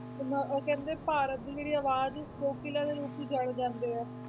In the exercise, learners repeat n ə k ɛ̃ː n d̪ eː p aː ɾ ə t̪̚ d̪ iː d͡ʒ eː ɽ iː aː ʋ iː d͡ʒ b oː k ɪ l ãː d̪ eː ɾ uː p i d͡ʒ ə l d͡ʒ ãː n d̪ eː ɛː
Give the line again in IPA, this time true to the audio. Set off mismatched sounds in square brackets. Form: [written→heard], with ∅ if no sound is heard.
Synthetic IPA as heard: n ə k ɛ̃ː n d̪ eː p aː ɾ ə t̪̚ d̪ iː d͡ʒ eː ɽ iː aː ʋ [iː→aː] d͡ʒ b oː k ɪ l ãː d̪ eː ɾ uː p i d͡ʒ ə [l→ɽ] d͡ʒ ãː n d̪ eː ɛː

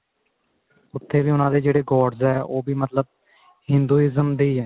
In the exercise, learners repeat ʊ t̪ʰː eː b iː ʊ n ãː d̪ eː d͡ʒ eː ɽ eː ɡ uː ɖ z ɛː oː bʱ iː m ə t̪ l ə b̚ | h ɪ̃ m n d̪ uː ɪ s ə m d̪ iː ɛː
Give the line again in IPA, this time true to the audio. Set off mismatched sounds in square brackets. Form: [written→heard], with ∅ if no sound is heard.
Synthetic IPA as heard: ʊ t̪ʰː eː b iː ʊ n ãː d̪ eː d͡ʒ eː ɽ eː ɡ [uː→ɔː] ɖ z ɛː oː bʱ iː m ə t̪ l ə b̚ | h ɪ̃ [m→∅] n d̪ uː ɪ [s→z] ə m d̪ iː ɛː

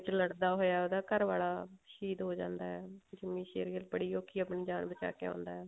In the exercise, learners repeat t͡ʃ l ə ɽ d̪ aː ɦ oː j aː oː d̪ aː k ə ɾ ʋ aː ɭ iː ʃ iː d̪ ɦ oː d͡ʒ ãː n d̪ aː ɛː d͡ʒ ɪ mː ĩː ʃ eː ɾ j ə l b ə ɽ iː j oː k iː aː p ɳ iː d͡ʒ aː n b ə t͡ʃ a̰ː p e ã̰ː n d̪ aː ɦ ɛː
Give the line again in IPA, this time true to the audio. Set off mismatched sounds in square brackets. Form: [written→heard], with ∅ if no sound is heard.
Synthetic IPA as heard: t͡ʃ l ə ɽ d̪ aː ɦ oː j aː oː d̪ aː k ə ɾ ʋ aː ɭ [iː→aː] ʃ iː d̪ ɦ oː d͡ʒ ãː n d̪ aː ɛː d͡ʒ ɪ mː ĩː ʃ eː ɾ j ə l b ə ɽ iː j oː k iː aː p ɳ iː d͡ʒ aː n b ə t͡ʃ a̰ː [p→k] e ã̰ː n d̪ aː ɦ ɛː

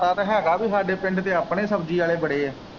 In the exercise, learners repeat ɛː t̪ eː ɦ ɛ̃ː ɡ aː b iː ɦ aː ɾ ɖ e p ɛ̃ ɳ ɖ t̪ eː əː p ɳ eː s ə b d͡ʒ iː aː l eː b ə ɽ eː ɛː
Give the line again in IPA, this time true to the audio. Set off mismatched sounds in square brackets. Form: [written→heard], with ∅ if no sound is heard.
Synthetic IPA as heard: [ɛː→aː] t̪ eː ɦ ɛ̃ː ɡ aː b iː ɦ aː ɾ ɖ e p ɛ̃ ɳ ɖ t̪ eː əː p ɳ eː s ə b d͡ʒ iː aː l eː b ə ɽ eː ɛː

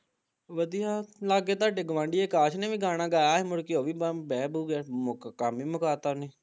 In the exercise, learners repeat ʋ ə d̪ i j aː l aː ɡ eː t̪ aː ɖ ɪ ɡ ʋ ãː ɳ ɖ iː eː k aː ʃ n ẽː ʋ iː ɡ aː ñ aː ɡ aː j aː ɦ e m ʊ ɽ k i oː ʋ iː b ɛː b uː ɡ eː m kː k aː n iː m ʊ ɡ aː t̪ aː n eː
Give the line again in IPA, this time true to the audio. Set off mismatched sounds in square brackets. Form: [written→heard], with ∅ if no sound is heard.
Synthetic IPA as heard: ʋ ə d̪ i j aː l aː ɡ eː t̪ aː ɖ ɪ ɡ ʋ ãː ɳ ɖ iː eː k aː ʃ n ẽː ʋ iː ɡ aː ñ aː ɡ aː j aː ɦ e m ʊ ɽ k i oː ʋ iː b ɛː b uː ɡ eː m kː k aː [n→m] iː m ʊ [ɡ→k] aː t̪ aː n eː

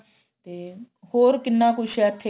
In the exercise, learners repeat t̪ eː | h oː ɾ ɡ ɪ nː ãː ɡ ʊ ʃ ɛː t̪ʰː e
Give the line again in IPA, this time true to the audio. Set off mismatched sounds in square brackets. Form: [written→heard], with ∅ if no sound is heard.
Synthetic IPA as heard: t̪ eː | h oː ɾ [ɡ→k] ɪ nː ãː [ɡ→k] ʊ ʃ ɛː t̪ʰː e

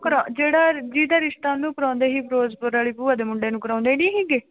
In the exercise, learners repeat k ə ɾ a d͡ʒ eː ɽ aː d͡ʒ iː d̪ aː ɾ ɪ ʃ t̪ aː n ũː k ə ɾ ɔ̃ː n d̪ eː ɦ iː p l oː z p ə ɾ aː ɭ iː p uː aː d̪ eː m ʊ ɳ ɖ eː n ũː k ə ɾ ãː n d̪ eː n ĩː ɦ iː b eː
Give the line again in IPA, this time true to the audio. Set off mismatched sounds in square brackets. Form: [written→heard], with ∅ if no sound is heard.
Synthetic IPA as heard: k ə ɾ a d͡ʒ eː ɽ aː d͡ʒ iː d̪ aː ɾ ɪ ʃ t̪ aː n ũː k ə ɾ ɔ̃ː n d̪ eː ɦ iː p [l→ɾ] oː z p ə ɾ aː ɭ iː p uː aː d̪ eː m ʊ ɳ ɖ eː n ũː k ə ɾ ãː n d̪ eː n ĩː ɦ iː [b→ɡ] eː

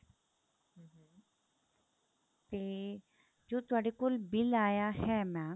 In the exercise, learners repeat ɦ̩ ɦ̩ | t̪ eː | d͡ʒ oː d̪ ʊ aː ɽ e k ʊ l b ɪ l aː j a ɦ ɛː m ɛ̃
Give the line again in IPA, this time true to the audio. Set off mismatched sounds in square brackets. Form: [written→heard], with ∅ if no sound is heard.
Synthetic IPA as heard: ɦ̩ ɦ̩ | t̪ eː | d͡ʒ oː [d̪→t̪] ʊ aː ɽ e k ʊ l b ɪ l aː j a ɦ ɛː m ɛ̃

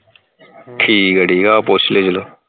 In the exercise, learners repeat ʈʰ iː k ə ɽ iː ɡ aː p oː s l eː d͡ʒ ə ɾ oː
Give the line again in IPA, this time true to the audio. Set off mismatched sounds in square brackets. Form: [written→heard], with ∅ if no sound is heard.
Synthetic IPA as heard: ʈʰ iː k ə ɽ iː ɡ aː p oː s l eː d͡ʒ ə [ɾ→l] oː

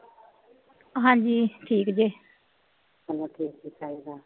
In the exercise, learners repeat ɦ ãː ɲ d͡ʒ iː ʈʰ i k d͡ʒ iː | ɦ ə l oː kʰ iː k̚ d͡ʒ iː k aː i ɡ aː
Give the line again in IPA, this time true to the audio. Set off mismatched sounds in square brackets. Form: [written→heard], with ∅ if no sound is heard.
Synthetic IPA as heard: ɦ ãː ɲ d͡ʒ iː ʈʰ [i→iː] k d͡ʒ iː | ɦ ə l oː [kʰ→ʈʰ] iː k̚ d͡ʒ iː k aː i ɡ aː

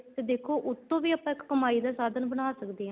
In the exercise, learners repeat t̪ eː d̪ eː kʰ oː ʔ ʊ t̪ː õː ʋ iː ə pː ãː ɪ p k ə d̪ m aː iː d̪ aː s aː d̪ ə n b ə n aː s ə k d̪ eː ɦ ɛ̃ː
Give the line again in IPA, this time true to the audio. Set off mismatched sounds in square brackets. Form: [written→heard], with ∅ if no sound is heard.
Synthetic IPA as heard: t̪ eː d̪ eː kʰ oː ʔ ʊ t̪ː õː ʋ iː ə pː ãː ɪ [p→k] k ə [d̪→∅] m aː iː d̪ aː s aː d̪ ə n b ə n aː s ə k d̪ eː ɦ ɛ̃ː

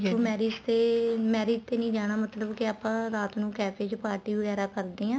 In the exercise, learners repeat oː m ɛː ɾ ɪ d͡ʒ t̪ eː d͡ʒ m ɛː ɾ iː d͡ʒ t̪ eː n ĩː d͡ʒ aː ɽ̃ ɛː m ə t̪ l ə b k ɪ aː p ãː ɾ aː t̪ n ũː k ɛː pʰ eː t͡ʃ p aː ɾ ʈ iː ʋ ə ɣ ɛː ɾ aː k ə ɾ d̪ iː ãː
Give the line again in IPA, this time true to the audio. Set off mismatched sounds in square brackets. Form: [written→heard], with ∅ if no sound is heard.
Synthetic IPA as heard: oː m ɛː ɾ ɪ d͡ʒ t̪ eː [d͡ʒ→∅] m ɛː ɾ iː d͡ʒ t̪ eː n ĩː d͡ʒ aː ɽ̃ [ɛː→aː] m ə t̪ l ə b k ɪ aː p ãː ɾ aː t̪ n ũː k ɛː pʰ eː t͡ʃ p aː ɾ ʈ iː ʋ ə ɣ ɛː ɾ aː k ə ɾ d̪ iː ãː

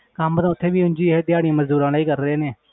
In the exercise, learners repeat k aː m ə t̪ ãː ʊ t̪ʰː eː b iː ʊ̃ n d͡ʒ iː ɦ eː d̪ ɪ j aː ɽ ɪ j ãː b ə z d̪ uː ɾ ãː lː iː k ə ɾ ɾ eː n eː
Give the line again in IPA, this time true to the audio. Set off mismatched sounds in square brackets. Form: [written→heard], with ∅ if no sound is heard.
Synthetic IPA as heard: k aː m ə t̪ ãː ʊ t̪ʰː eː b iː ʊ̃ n d͡ʒ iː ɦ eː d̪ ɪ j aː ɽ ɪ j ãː [b→m] ə z d̪ uː ɾ ãː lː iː k ə ɾ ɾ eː n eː

